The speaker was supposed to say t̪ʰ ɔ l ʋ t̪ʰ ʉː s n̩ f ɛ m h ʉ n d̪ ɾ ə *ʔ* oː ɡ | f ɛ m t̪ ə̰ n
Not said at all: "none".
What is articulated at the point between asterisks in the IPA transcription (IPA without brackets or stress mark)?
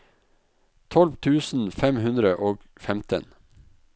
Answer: ʔ